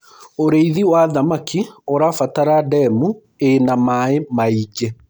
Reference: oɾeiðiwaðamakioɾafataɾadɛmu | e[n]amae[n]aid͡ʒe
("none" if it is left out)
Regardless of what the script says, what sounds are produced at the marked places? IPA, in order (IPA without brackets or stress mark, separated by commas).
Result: n, m